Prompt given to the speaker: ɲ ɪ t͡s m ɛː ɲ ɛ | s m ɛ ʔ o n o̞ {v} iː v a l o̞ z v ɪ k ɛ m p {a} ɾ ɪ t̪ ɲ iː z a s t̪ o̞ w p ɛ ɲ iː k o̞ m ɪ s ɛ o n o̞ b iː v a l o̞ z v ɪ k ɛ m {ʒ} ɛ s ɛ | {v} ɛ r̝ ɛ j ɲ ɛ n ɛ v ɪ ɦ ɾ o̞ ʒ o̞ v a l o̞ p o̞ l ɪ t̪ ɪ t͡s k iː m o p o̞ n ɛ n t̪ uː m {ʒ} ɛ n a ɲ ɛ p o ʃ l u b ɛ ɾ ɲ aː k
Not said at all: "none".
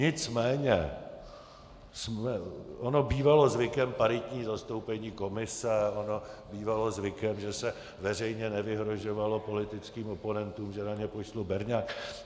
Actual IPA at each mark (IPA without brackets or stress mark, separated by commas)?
b, a, ʒ, v, ʒ